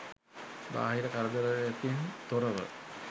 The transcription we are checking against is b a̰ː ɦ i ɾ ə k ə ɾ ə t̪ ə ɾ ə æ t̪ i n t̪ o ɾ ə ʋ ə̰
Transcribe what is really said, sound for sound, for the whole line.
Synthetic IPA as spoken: b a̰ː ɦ i ɾ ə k a ɾ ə d̪ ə ɾ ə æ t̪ i n t̪ o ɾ ə ʋ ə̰